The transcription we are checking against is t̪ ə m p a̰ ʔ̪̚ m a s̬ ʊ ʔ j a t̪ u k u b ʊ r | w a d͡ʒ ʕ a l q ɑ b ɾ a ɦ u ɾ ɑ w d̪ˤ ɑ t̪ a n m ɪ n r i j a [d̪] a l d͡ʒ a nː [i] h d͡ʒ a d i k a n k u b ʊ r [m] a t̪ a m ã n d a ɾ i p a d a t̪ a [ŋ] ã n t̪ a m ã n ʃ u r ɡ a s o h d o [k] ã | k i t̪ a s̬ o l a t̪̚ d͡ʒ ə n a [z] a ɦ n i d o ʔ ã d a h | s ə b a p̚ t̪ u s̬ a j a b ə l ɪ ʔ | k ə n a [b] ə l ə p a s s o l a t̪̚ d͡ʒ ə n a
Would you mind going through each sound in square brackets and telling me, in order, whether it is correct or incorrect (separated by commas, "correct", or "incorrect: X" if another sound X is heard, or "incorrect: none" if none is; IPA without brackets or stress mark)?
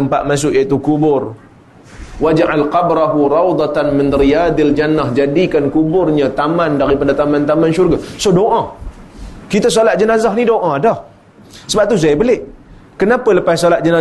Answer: correct, incorrect: a, incorrect: ɲ, incorrect: m, incorrect: ʔ, correct, incorrect: p